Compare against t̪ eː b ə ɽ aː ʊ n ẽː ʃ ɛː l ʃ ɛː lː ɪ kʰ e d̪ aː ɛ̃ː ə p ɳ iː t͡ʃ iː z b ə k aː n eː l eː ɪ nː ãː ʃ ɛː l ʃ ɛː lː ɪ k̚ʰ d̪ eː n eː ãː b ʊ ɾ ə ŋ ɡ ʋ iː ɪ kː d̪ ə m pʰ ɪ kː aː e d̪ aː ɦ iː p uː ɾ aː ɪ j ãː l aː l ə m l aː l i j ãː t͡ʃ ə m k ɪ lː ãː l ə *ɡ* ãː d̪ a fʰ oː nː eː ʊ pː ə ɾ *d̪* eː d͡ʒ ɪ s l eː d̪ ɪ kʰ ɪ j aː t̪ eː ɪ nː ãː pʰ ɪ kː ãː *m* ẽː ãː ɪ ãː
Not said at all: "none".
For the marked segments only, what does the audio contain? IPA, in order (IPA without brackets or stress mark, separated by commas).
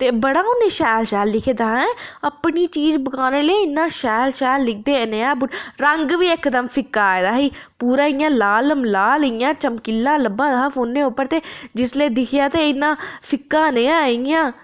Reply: b, t̪, n